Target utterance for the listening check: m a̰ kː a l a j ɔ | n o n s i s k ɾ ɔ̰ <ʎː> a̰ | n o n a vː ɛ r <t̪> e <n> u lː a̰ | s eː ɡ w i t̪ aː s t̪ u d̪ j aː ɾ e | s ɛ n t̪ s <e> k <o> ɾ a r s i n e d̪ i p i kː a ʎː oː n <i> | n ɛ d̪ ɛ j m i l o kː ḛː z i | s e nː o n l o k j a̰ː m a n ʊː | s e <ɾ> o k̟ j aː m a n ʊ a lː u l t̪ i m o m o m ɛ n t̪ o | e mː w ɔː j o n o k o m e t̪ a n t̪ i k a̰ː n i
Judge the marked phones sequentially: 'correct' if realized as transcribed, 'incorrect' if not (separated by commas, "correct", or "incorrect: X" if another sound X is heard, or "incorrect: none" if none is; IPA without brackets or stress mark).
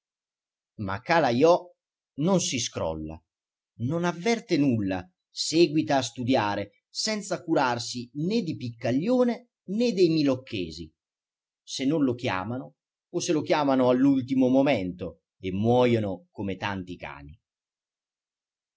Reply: incorrect: lː, correct, correct, incorrect: a, incorrect: u, incorrect: e, incorrect: l